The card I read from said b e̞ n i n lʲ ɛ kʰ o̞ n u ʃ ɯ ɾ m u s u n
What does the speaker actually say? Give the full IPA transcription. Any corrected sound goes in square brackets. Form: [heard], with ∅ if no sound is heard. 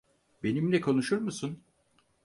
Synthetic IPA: b e̞ n i [m] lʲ ɛ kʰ o̞ n u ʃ [u] ɾ m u s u n